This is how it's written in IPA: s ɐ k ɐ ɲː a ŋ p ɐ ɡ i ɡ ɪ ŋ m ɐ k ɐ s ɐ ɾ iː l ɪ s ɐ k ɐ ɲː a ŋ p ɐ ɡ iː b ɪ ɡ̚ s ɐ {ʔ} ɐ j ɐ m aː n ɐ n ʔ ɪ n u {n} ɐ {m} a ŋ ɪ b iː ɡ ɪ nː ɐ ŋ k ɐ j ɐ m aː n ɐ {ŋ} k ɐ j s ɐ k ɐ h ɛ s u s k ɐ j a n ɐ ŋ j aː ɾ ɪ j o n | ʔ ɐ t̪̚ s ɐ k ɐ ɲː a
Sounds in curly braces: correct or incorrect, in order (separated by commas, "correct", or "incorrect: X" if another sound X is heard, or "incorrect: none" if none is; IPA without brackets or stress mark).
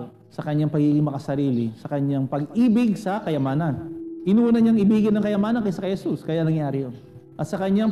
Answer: incorrect: k, correct, incorrect: ɲ, incorrect: n